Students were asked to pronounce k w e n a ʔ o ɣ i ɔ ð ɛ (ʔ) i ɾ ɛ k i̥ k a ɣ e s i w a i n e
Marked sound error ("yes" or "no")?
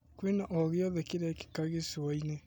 yes